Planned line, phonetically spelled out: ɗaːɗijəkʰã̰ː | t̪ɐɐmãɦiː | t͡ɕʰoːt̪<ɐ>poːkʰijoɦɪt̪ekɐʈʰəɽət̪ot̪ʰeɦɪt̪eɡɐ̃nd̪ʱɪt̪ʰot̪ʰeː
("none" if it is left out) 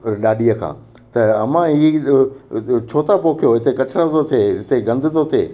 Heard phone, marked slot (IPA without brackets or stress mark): a